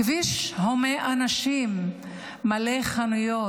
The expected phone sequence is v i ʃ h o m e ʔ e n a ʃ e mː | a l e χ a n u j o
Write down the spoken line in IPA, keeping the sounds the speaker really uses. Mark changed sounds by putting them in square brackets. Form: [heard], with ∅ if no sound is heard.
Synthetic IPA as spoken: v i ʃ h o m e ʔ [a] n a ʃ [i] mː | a l e χ a n u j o